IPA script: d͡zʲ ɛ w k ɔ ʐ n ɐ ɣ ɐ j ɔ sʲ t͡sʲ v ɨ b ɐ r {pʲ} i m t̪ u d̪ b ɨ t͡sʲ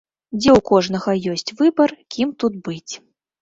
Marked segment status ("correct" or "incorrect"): incorrect